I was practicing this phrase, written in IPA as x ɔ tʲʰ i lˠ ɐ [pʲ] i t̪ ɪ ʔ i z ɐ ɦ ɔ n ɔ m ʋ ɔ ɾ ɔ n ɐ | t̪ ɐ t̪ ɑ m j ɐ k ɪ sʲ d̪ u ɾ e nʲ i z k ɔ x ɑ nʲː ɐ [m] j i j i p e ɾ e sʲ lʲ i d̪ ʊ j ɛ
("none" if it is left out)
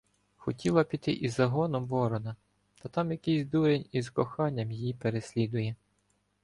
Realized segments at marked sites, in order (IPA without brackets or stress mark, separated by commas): pʲ, m